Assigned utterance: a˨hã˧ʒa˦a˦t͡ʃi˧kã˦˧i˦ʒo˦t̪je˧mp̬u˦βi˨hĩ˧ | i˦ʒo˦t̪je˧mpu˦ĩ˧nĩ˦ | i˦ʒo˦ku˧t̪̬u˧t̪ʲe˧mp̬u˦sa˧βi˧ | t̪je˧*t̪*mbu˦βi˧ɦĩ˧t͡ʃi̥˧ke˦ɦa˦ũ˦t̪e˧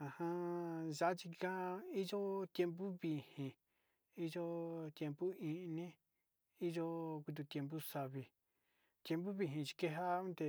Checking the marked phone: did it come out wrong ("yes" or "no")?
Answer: yes